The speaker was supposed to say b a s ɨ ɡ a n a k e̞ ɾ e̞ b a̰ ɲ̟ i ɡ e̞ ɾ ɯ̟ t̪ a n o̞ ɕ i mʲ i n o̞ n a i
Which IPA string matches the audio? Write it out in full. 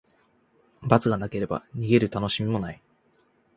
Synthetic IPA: b a t͡s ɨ ɡ a n a k e̞ ɾ e̞ b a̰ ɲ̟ i ɡ e̞ ɾ ɯ̟ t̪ a n o̞ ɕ i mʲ i m o̞ n a i